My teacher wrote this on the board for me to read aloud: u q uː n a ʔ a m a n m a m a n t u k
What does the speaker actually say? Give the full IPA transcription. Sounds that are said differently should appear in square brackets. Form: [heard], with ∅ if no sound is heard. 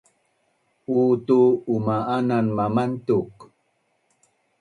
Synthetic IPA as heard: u [t] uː [m] a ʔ a [n] a n m a m a n t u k